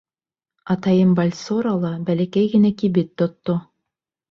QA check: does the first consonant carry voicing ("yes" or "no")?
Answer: no